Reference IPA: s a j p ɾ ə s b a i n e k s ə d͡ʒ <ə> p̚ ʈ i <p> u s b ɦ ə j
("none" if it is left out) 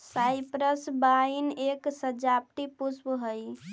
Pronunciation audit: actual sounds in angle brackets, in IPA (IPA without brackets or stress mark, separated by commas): a, p